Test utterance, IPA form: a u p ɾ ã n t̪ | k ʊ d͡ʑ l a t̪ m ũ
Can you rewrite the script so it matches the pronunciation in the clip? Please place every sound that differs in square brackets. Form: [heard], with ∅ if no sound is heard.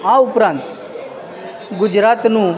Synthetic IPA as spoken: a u p ɾ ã n t̪ | [ɡ] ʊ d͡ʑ [ɾ] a t̪ [n] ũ